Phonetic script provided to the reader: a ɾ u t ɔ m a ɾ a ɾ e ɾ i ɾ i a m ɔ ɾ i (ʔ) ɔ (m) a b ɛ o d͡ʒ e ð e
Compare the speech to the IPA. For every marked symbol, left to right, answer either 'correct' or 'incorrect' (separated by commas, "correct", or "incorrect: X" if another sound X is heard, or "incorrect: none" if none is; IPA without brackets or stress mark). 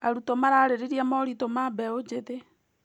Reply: incorrect: t, correct